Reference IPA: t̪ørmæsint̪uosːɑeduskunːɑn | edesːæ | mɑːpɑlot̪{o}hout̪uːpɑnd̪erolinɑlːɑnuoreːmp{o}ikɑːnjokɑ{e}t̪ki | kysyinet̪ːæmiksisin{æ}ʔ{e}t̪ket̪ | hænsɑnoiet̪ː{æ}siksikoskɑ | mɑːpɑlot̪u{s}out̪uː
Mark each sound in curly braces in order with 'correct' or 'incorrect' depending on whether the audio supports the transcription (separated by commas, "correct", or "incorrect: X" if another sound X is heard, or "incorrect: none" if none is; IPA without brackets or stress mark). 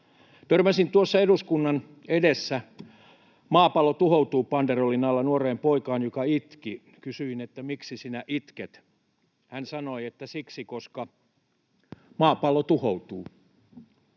incorrect: u, correct, incorrect: i, correct, incorrect: i, correct, incorrect: h